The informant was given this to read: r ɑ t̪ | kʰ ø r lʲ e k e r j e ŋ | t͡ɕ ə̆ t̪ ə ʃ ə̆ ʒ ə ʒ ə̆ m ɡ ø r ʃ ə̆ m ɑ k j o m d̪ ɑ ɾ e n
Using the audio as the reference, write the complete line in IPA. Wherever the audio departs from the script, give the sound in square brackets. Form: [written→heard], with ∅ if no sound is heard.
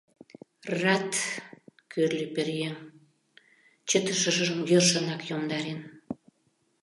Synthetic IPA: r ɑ t̪ | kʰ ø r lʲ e [k→p] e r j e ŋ | t͡ɕ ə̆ t̪ ə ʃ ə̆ ʒ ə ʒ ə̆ m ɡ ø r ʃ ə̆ [m→n] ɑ k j o m d̪ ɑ ɾ e n